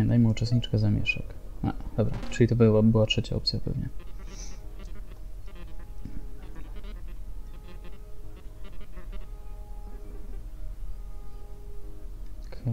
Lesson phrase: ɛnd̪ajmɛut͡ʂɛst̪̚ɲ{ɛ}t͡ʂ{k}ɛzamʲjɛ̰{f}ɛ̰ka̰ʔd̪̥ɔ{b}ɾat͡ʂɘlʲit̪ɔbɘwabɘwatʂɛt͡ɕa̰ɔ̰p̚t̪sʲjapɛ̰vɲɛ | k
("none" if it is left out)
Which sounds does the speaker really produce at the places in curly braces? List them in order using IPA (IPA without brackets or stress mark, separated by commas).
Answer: i, k, ʂ, b